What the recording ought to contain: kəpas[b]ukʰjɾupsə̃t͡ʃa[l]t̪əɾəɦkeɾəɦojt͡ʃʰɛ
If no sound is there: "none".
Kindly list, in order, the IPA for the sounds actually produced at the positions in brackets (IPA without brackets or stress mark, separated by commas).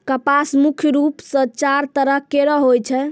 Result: m, ɾ